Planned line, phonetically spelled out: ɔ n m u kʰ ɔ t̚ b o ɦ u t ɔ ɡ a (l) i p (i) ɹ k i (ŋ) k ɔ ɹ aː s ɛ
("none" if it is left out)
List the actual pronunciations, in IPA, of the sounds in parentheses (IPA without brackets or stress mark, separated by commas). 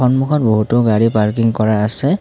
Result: ɹ, a, ŋ